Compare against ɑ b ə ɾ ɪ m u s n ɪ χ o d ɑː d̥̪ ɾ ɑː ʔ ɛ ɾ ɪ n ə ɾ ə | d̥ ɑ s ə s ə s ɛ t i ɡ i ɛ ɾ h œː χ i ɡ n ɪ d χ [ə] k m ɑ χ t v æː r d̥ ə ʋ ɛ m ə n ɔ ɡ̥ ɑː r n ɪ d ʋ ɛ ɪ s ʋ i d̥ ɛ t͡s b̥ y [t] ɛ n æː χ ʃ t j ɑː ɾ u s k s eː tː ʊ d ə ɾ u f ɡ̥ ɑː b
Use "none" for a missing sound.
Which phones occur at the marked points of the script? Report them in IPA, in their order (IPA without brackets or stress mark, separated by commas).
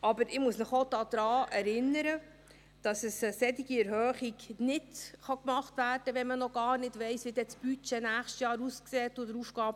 ɑ, t͡ʃ